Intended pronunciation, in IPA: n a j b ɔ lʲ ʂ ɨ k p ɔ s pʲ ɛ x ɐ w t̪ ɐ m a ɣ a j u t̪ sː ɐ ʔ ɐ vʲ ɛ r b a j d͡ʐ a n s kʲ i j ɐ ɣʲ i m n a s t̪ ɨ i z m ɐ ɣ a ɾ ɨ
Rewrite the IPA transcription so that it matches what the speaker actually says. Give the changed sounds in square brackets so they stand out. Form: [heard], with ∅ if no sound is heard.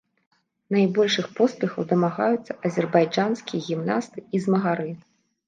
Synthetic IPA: n a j b ɔ lʲ ʂ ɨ [x] p ɔ s pʲ ɛ x ɐ w [d̪] ɐ m a ɣ a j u t̪ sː ɐ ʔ ɐ [zʲ] ɛ r b a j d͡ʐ a n s kʲ i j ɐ ɣʲ i m n a s t̪ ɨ i z m ɐ ɣ a ɾ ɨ